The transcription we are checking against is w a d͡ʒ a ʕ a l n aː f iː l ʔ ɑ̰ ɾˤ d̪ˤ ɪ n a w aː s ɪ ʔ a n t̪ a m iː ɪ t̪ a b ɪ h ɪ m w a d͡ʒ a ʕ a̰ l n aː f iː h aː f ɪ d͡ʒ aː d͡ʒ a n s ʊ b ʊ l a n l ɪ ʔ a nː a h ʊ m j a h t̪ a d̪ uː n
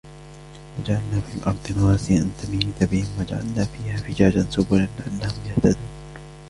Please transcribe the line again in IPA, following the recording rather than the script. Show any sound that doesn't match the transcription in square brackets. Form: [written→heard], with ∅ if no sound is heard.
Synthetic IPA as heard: w a d͡ʒ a ʕ a l n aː f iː l ʔ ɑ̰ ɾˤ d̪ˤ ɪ n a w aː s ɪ ʔ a n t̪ a m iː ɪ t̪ a b ɪ h ɪ m w a d͡ʒ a ʕ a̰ l n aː f iː h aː f ɪ d͡ʒ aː d͡ʒ a n s ʊ b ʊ l a n l ɪ ʔ a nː a h ʊ m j a h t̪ a d̪ uː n